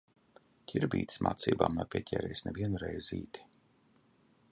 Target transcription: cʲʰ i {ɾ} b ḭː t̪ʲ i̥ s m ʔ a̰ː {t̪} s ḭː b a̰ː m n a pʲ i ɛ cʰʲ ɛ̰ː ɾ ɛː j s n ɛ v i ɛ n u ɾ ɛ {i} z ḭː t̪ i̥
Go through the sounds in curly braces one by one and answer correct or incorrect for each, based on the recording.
correct, correct, incorrect: j

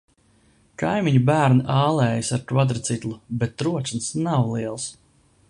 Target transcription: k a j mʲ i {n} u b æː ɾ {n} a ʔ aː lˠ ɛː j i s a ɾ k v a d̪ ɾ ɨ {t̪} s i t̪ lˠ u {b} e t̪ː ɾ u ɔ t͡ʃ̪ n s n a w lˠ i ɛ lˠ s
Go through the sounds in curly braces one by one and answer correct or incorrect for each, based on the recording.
incorrect: ɲ, correct, correct, correct

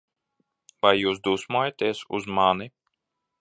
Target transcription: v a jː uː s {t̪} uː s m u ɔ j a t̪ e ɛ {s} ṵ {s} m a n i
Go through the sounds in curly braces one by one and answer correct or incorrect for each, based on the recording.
incorrect: d̪, correct, incorrect: z

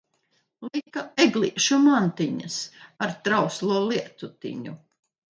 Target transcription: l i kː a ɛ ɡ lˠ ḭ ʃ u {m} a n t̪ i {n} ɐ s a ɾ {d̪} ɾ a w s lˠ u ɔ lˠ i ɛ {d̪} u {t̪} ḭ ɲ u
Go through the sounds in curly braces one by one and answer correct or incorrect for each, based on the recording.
correct, incorrect: ɲ, incorrect: t̪, incorrect: t̪, correct

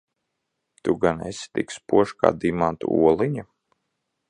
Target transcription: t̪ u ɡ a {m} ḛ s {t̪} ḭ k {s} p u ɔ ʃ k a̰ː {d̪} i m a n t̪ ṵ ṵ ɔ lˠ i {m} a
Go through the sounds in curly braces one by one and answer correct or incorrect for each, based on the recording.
incorrect: n, correct, correct, correct, incorrect: ɲ

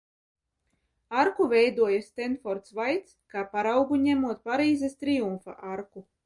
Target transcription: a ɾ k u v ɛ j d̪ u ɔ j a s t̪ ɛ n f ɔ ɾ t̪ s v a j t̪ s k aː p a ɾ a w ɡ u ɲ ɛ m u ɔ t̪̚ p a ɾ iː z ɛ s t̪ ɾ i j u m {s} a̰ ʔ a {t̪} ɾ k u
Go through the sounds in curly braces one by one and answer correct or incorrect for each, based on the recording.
incorrect: f, incorrect: none

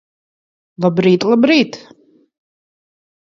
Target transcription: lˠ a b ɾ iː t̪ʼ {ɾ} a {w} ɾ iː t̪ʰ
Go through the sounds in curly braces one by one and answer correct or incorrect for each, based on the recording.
incorrect: l, incorrect: b

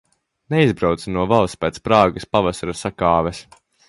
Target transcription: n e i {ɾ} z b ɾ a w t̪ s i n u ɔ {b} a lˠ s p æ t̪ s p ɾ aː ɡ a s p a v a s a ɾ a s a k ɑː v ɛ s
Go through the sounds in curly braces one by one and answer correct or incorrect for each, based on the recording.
incorrect: none, incorrect: v

